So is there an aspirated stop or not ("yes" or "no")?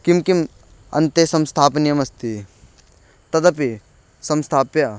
yes